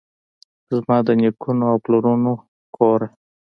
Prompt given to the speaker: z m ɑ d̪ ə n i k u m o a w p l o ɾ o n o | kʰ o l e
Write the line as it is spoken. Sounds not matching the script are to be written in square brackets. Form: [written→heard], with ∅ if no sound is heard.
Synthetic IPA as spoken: z m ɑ d̪ ə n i k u [m→n] o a w p l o ɾ [o→u] n o | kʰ o [l→ɾ] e